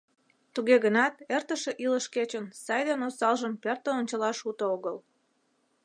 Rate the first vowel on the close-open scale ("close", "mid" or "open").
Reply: close